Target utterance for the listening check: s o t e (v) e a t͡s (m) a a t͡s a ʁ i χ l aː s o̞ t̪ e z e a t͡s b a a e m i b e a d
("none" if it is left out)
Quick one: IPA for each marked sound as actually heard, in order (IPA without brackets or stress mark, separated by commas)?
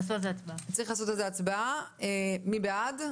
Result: z, b